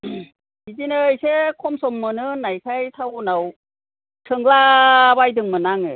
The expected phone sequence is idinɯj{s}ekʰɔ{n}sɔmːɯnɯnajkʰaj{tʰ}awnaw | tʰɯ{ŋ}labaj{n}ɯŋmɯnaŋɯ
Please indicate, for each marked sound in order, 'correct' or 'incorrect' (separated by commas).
correct, incorrect, correct, correct, incorrect